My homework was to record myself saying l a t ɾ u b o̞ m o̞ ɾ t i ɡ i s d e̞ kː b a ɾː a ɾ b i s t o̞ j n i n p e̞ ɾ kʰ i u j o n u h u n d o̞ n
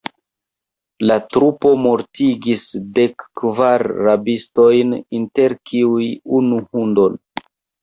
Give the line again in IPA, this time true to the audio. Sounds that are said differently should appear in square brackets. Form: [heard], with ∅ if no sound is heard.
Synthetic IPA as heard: l a t ɾ u [p] o̞ m o̞ ɾ t i ɡ i s d e̞ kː [v] a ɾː a [∅] b i s t o̞ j n i n [t] e̞ ɾ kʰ i u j [u] n u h u n d o̞ n